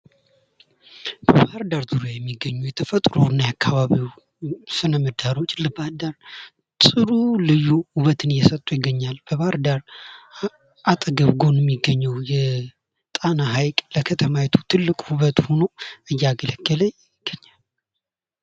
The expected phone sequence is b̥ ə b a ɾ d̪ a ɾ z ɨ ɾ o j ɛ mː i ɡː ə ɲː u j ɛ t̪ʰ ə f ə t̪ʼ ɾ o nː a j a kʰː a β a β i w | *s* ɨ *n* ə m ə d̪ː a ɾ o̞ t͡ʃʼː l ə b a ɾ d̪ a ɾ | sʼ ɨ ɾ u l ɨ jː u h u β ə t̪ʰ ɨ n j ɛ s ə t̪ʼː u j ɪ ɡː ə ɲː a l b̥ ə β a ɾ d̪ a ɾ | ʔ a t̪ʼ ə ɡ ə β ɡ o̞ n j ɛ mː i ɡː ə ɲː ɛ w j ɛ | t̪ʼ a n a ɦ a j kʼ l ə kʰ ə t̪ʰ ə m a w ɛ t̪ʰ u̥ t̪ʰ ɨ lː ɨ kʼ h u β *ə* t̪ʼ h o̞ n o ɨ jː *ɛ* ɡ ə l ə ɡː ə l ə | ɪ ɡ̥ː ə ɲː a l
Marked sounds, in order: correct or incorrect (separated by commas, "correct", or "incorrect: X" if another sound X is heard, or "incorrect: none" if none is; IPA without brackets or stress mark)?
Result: correct, correct, correct, incorrect: a